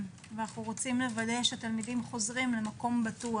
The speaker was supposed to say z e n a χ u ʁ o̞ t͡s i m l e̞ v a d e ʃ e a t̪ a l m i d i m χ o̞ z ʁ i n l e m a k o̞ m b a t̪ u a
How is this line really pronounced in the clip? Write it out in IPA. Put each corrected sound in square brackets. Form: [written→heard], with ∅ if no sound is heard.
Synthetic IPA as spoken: [z→v] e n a χ u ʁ o̞ t͡s i m l e̞ v a d e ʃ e a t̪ a l m i d i m χ o̞ z ʁ i [n→m] l e m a k o̞ m b a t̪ u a